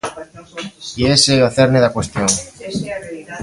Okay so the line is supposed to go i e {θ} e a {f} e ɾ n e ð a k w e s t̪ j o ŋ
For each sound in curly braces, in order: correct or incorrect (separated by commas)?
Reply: incorrect, incorrect